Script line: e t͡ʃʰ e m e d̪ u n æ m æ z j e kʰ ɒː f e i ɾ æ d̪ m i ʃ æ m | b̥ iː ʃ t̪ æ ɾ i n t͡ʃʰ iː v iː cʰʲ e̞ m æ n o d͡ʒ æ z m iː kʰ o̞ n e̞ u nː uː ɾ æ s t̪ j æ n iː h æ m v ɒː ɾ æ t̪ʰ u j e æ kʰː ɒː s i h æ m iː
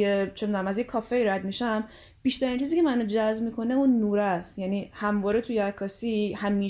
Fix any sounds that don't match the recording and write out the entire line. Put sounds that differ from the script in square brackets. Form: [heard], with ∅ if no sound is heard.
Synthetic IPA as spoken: e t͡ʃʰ e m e d̪ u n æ m æ z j e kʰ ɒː f e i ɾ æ d̪ m i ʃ æ m | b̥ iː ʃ t̪ æ ɾ i n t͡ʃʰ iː [z] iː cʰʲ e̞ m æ n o d͡ʒ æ z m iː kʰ o̞ n e̞ u nː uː ɾ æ s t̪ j æ n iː h æ m v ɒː ɾ [e] t̪ʰ u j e æ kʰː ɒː s i h æ m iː